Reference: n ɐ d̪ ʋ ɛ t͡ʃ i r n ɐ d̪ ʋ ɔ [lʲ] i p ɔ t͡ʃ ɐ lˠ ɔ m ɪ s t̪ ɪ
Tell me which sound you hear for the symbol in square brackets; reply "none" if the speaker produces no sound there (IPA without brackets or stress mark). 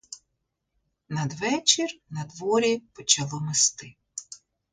ɾʲ